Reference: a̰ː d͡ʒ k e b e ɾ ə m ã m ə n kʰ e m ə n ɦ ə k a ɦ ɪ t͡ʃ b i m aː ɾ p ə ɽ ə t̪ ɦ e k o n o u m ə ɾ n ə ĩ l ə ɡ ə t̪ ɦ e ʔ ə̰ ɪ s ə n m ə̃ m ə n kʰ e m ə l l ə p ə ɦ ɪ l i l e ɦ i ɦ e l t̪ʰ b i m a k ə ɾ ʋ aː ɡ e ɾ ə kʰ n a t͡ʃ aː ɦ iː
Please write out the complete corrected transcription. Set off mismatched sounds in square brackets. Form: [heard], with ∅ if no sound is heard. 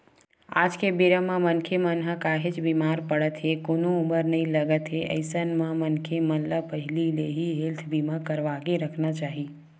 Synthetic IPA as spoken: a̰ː d͡ʒ k e b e ɾ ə m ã m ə n kʰ e m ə n ɦ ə k a ɦ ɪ t͡ʃ b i m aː ɾ p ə ɽ ə t̪ ɦ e k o n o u m ə ɾ n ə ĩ l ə ɡ ə t̪ ɦ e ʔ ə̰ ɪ s ə n m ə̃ m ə n kʰ e m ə l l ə p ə ɦ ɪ l i l e ɦ i ɦ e l t̪ʰ b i m a k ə ɾ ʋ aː ɡ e ɾ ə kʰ n a t͡ʃ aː ɦ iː